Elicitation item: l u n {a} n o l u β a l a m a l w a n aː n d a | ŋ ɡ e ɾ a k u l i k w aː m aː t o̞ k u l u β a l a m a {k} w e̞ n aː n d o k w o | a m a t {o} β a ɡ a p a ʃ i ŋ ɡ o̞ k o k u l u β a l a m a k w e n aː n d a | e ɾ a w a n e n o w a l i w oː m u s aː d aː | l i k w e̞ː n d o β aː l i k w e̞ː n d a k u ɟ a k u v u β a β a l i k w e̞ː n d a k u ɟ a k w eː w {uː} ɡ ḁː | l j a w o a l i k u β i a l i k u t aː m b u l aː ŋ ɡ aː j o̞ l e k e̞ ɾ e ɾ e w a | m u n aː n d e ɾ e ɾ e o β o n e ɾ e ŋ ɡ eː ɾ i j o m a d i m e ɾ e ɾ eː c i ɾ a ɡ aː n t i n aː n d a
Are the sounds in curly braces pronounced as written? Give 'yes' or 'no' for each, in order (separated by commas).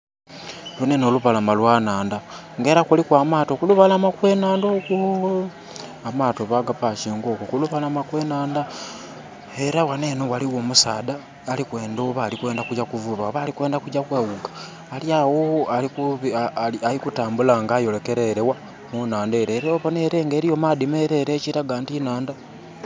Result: no, yes, yes, no